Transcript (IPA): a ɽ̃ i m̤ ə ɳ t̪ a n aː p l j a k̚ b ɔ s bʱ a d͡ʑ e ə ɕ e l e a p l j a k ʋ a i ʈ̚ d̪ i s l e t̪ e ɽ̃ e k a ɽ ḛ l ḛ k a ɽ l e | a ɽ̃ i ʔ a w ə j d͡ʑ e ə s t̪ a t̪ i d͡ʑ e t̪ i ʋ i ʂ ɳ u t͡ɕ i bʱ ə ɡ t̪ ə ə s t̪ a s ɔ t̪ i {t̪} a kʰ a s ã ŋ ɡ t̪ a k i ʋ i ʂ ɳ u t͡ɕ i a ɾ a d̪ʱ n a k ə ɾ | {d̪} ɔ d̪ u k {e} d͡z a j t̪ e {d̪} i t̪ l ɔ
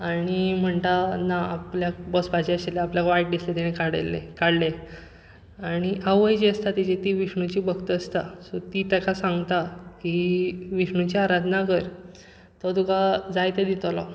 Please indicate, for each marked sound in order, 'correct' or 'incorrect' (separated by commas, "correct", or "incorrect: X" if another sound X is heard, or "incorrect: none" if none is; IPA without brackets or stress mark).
correct, incorrect: t̪, incorrect: a, correct